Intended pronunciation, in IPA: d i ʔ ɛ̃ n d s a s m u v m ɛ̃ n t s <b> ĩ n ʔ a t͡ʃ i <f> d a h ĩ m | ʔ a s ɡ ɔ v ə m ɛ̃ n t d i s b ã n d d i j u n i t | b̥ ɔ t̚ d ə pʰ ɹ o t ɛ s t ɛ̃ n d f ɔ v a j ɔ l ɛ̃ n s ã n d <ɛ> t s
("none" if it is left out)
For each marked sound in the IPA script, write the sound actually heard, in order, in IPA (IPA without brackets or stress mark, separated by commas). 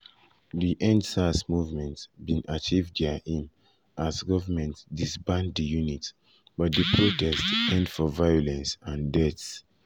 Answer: b, v, ɛ